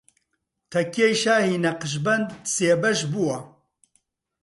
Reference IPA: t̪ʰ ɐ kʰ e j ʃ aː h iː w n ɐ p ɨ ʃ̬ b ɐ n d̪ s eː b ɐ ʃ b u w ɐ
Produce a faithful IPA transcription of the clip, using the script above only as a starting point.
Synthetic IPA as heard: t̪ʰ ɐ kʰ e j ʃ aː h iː n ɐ q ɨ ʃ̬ b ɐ n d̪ s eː b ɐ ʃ b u w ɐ